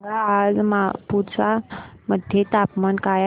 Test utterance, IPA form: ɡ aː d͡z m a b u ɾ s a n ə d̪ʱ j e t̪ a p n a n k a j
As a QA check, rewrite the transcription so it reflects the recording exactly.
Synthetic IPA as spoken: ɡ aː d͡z m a p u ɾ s a m ə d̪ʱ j e t̪ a p m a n k a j